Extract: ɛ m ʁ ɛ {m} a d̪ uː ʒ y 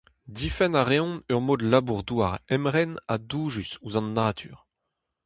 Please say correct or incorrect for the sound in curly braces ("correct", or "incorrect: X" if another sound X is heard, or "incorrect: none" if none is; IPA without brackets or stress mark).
incorrect: n